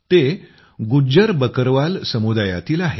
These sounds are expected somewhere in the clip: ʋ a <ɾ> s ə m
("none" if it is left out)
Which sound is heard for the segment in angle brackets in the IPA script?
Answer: l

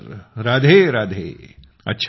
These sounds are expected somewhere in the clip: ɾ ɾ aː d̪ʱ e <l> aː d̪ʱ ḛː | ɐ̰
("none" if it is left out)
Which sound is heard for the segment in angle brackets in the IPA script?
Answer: ɾ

